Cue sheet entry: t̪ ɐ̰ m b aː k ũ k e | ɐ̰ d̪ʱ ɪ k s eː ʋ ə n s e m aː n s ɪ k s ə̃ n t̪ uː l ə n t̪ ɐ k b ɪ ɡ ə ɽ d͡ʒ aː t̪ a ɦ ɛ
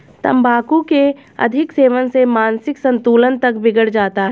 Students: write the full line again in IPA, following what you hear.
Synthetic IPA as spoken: t̪ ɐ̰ m b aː k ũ k e | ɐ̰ d̪ʱ ɪ k s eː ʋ ə n s e m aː n s ɪ k s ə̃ n t̪ uː l ə n t̪ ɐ k b ɪ ɡ ə ɽ d͡ʒ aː t̪ a ɦ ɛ